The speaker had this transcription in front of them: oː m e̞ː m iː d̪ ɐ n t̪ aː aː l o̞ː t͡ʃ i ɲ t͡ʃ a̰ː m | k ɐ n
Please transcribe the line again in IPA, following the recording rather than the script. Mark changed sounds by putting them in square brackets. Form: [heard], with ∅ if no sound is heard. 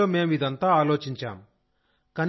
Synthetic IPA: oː m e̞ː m [i] d̪ ɐ n t̪ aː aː l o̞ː t͡ʃ i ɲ t͡ʃ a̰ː m | k ɐ n